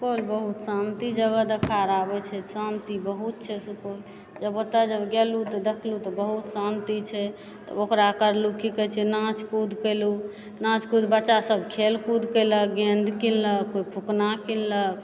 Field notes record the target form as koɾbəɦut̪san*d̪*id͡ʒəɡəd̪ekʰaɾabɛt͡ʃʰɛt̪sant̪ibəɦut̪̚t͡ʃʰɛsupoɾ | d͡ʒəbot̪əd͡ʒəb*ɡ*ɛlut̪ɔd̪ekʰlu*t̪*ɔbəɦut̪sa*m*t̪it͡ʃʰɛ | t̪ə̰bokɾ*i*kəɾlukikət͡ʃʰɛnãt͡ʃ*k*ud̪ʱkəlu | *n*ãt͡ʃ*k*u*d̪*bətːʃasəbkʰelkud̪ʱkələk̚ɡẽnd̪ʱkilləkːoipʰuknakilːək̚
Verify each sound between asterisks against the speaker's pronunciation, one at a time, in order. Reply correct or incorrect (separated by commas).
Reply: incorrect, correct, correct, incorrect, incorrect, correct, correct, correct, correct